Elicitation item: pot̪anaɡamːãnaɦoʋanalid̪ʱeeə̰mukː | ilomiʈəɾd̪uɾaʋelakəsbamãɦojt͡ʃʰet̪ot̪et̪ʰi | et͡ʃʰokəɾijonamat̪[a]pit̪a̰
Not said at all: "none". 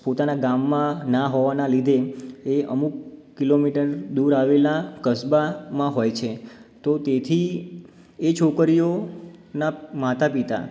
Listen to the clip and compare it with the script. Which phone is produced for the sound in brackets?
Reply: a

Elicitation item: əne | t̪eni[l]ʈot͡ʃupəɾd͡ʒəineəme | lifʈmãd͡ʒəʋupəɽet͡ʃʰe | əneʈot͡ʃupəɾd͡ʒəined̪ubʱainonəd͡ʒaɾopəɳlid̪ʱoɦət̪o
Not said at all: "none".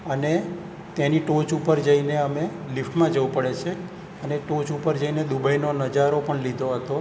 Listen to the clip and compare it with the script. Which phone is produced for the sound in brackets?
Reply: none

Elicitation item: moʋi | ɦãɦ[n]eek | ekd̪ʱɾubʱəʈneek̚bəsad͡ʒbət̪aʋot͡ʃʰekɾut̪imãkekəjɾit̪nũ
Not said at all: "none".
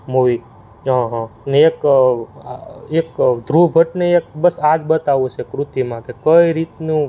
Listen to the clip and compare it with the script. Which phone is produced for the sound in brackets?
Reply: n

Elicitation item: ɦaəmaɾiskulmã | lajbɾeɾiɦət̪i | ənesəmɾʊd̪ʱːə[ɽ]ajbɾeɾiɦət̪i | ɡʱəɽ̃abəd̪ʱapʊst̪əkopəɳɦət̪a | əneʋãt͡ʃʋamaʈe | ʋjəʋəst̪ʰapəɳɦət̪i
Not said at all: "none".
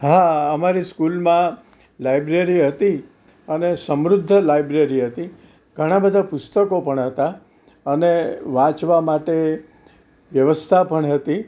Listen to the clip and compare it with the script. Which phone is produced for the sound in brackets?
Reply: l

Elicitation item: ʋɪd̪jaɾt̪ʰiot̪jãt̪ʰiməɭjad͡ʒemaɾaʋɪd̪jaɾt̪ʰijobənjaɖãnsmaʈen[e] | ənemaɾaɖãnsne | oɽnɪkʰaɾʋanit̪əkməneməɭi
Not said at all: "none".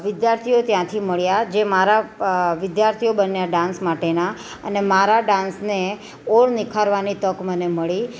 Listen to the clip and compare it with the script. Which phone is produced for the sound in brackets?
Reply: a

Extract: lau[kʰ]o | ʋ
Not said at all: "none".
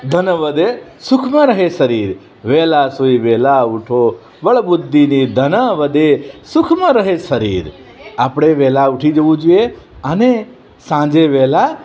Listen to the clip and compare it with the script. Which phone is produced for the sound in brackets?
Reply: ʈʰ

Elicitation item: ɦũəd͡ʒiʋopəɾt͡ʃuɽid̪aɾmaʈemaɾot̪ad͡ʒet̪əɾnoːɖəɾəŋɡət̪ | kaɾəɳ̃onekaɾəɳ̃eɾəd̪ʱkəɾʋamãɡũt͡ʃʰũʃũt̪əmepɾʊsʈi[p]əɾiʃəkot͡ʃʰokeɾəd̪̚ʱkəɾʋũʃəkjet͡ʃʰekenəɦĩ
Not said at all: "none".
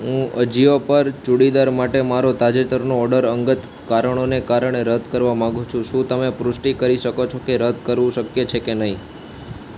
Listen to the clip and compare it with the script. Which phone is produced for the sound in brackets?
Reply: k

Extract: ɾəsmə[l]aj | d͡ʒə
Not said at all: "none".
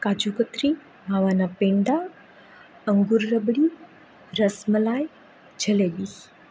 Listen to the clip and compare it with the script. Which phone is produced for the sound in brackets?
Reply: l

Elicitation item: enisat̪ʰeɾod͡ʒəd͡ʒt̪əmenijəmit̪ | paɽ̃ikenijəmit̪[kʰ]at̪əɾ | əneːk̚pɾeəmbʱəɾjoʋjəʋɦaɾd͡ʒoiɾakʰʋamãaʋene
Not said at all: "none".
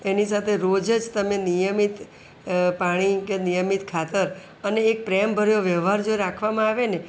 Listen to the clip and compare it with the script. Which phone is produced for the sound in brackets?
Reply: kʰ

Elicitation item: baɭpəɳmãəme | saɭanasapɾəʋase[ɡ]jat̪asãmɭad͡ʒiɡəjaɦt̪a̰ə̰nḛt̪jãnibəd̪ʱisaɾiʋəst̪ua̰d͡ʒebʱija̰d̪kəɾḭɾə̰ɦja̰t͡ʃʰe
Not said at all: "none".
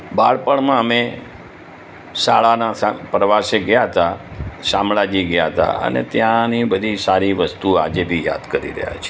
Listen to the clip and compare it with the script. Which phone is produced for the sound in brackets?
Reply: ɡ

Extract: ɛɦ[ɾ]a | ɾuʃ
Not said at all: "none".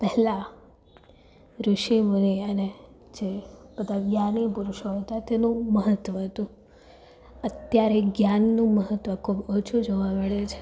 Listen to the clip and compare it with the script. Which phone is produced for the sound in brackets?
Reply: l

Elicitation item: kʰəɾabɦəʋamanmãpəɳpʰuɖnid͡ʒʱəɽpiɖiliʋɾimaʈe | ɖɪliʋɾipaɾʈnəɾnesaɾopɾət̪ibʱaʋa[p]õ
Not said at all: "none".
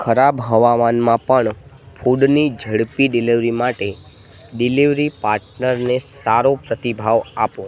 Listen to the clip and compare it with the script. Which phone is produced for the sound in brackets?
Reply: p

